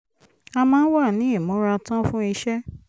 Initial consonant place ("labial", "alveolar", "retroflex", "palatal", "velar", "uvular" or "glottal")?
labial